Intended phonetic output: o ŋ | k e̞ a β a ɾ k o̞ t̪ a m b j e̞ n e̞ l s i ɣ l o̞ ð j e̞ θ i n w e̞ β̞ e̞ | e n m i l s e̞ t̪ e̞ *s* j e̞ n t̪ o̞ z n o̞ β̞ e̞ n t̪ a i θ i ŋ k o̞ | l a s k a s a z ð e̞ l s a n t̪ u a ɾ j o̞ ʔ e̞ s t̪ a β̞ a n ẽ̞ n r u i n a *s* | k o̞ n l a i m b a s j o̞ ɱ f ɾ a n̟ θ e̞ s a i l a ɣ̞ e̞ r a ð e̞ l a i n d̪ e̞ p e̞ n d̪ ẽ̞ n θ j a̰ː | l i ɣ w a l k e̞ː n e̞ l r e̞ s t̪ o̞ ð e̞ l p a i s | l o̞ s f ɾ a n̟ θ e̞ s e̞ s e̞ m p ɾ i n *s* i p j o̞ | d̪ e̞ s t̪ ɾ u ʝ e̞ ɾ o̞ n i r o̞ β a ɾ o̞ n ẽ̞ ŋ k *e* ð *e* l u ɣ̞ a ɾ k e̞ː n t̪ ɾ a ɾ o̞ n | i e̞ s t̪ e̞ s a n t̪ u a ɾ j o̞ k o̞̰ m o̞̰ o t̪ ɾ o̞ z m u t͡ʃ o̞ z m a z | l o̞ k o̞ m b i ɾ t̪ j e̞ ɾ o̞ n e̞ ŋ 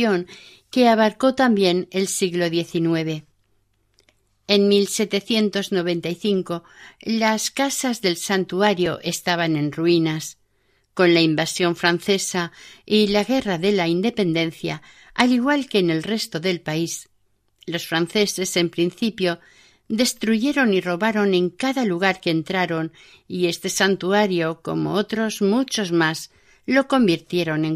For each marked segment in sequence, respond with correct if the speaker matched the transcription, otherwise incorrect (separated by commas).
incorrect, correct, incorrect, incorrect, incorrect